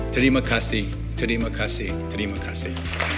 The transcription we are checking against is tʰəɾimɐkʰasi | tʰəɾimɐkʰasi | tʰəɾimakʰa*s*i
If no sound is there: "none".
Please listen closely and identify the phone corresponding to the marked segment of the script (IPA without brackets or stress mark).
s